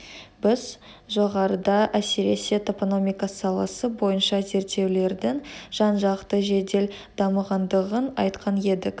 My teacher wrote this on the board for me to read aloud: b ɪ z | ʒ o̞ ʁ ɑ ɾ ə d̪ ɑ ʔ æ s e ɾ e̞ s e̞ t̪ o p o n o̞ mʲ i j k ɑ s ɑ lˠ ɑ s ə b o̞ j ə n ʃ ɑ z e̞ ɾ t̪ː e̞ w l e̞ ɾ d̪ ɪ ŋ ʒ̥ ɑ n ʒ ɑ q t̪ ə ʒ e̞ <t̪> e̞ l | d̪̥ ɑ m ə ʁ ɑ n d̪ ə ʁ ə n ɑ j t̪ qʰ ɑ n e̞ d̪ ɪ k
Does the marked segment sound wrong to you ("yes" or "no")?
yes